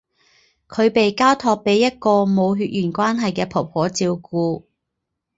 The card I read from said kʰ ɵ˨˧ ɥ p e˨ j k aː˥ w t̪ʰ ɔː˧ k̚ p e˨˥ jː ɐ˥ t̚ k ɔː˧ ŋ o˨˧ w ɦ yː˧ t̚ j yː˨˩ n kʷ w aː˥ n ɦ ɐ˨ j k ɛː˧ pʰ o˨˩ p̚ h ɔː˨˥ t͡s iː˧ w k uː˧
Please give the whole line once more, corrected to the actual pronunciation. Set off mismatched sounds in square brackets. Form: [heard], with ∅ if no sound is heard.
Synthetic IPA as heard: kʰ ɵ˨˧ ɥ p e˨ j k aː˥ w t̪ʰ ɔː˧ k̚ p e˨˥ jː ɐ˥ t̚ k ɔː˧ [m] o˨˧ w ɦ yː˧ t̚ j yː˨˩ n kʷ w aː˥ n ɦ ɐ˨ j k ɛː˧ pʰ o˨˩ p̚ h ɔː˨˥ t͡s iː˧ w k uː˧